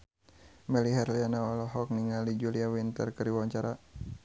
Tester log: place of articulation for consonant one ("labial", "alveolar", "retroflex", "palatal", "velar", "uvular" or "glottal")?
labial